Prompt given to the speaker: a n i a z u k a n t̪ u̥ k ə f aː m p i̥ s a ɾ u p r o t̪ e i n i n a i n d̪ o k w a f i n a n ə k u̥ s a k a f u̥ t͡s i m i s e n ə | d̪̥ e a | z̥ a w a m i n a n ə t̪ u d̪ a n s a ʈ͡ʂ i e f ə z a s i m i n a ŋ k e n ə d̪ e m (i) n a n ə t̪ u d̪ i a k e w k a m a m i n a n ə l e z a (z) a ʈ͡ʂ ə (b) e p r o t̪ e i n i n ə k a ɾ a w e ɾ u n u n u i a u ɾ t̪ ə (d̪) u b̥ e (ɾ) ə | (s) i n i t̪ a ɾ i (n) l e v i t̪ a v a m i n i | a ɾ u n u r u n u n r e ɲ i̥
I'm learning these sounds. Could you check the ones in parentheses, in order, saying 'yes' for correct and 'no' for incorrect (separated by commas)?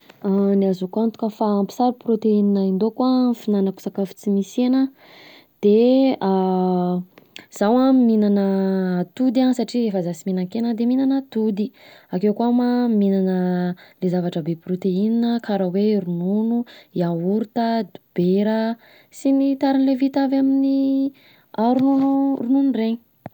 yes, no, yes, yes, yes, yes, yes